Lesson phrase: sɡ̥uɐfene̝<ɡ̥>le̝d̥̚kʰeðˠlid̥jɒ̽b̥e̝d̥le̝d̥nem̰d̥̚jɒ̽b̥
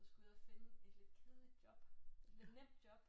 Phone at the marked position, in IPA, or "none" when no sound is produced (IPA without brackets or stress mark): d̥